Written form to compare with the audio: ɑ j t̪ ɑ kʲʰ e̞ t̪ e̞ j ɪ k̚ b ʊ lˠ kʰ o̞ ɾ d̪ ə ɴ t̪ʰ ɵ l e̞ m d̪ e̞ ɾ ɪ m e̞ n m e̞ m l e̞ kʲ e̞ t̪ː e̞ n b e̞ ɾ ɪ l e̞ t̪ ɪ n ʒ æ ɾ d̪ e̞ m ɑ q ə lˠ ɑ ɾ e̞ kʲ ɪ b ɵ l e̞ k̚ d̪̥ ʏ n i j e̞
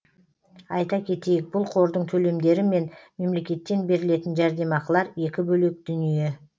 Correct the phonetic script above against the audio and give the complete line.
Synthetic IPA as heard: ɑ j t̪ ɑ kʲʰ e̞ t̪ e̞ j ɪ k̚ b ʊ lˠ qʰ o̞ ɾ d̪ ə ɴ t̪ʰ ɵ l e̞ m d̪ e̞ ɾ ɪ m e̞ n m e̞ m l e̞ kʲ e̞ t̪ː e̞ n b e̞ ɾ ɪ l e̞ t̪ ɪ n ʒ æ ɾ d̪ e̞ m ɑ q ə lˠ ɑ ɾ e̞ kʲ ɪ b ɵ l e̞ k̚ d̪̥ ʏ n i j e̞

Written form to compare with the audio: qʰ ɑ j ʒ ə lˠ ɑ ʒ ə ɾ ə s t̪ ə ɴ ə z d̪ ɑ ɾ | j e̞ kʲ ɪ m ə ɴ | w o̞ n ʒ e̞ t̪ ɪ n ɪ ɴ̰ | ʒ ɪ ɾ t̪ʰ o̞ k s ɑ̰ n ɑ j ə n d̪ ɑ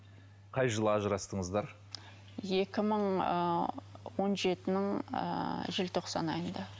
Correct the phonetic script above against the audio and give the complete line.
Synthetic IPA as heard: qʰ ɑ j ʒ ə lˠ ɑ ʒ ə ɾ ɑ s t̪ ə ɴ ə z d̪ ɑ ɾ | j e̞ kʲ ɪ m ə ɴ | w o̞ n ʒ e̞ t̪ ɪ n ɪ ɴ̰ | ʒ ɪ l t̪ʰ o̞ q s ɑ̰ n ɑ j ə n d̪ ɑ

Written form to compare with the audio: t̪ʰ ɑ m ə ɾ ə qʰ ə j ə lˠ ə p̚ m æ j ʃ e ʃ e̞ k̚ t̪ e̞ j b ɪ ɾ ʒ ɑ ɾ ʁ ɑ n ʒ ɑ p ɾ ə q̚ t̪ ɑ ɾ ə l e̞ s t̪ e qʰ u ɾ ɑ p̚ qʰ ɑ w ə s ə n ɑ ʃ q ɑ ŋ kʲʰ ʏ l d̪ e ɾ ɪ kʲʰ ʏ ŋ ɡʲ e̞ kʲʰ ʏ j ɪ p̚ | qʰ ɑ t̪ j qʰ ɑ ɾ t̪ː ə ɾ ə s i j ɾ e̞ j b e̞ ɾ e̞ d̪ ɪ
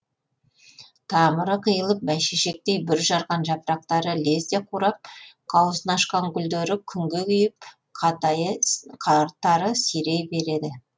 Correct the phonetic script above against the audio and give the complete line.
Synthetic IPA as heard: t̪ʰ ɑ m ə ɾ ə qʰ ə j ə lˠ ə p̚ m æ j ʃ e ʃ e̞ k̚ t̪ e̞ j b ɪ ɾ ʒ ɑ ɾ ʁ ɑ n ʒ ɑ p ɾ ɑ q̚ t̪ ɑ ɾ ə l e̞ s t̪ e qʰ u ɾ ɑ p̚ qʰ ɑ w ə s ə n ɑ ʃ q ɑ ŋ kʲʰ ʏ l d̪ e ɾ ɪ kʲʰ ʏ ŋ ɡʲ e̞ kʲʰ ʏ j ɪ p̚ | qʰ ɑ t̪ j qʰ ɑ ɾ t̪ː ɑ ɾ ə s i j ɾ e̞ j b e̞ ɾ e̞ d̪ ɪ

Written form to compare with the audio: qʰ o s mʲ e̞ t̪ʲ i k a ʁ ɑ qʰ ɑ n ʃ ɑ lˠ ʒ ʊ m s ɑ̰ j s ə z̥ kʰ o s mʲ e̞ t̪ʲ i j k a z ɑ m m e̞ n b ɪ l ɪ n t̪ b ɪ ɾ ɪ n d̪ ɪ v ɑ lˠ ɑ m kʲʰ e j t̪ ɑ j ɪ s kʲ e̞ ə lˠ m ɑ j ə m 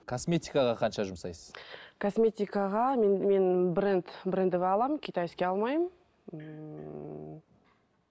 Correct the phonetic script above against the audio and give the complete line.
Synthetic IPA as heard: kʰ o s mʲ e̞ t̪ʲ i k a ʁ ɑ qʰ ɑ n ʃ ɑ ʒ ʊ m s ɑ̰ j s ə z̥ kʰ o s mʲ e̞ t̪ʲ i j k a ʁ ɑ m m e̞ n b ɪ ɾ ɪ n t̪ b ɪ ɾ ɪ n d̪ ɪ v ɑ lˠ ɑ m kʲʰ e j t̪ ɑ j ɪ s kʲ e̞ ɑ lˠ m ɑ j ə m

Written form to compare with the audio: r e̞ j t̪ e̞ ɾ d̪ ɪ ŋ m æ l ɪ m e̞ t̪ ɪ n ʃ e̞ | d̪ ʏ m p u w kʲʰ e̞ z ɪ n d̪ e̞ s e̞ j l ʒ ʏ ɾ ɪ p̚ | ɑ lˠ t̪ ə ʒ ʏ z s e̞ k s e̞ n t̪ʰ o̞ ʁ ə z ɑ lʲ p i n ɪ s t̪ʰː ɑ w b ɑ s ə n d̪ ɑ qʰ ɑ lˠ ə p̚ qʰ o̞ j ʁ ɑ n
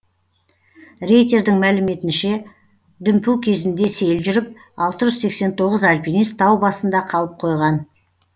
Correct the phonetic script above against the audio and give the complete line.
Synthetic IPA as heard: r e̞ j t̪ e̞ ɾ d̪ ɪ ŋ m æ l ɪ m e̞ t̪ ɪ n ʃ e̞ | d̪ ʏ m p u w kʲʰ e̞ z ɪ n d̪ e̞ s e̞ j l ʒ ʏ ɾ ɪ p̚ | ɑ lˠ t̪ ə ʒ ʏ z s e̞ k s e̞ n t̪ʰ o̞ ʁ ə z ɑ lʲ p i n i s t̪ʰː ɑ w b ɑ s ə n d̪ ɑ qʰ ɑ lˠ ə p̚ qʰ o̞ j ʁ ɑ n

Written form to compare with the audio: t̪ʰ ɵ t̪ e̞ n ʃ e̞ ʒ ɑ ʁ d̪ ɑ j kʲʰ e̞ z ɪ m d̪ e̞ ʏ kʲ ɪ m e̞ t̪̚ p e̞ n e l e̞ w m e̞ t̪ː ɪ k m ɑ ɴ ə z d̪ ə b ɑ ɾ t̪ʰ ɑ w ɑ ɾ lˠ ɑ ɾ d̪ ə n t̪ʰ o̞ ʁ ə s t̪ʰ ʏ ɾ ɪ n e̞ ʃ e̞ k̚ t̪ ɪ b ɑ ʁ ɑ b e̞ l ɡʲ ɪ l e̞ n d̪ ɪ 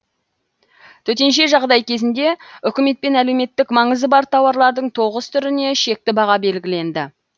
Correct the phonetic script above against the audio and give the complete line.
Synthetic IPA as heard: t̪ʰ ɵ t̪ e̞ n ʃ e̞ ʒ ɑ ʁ d̪ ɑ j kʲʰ e̞ z ɪ n d̪ e̞ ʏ kʲ ɪ m e̞ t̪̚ p e̞ n æ l e̞ w m e̞ t̪ː ɪ k m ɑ ɴ ə z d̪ ə b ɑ ɾ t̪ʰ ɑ w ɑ ɾ lˠ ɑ ɾ d̪ ə ɴ t̪ʰ o̞ ʁ ə s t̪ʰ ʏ ɾ ɪ n e̞ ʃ e̞ k̚ t̪ ɪ b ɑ ʁ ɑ b e̞ l ɡʲ ɪ l e̞ n d̪ ɪ

